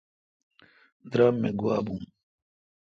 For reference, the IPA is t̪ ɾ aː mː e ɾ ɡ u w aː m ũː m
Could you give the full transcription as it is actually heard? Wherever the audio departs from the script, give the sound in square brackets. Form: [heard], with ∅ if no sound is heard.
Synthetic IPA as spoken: [d̪] ɾ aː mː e [∅] ɡ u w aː [b] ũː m